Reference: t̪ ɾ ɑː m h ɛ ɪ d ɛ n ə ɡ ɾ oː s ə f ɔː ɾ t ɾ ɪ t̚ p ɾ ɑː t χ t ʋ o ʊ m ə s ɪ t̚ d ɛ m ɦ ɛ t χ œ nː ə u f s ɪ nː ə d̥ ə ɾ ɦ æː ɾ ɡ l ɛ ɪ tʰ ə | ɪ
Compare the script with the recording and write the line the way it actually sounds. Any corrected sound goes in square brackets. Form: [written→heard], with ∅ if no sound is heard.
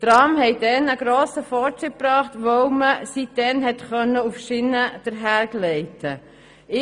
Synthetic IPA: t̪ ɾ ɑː m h ɛ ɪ d ɛ n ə ɡ ɾ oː s ə f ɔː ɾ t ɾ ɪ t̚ p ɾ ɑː [t→∅] χ t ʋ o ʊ m ə s [ɪ→i] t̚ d ɛ [m→n] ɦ ɛ t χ œ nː ə u f [s→ʃ] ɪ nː ə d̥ ə ɾ ɦ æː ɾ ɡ l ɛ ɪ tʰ ə | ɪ